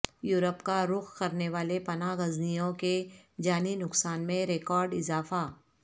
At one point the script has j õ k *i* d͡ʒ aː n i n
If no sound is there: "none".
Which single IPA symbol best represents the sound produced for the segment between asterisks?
e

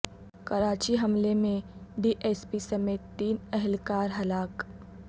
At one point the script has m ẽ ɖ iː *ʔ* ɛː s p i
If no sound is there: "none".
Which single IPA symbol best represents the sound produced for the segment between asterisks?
ʔ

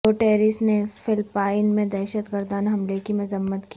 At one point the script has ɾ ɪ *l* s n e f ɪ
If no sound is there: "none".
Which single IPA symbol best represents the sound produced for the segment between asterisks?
none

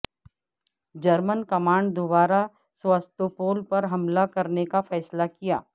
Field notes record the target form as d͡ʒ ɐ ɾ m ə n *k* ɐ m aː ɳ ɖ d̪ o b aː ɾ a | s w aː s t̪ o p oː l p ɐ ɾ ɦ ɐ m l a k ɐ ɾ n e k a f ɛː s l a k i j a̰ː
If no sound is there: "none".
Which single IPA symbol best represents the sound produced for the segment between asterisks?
k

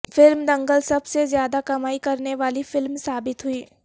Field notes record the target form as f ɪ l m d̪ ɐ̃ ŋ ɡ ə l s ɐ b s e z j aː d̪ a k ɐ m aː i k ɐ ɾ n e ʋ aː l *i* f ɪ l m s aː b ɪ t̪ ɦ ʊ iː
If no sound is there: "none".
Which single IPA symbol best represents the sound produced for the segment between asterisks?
i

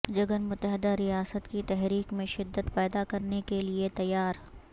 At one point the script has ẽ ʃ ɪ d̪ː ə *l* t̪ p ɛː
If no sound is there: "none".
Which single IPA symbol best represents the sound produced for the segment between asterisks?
none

